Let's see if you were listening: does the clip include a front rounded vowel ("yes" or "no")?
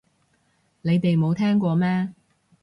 no